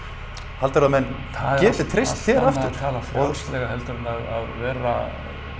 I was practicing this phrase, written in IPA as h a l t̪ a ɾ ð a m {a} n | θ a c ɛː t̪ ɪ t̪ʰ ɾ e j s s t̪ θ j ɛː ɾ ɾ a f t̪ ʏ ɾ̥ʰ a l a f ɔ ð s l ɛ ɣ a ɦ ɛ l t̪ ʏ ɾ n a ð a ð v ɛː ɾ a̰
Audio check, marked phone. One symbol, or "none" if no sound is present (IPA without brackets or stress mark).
ɛ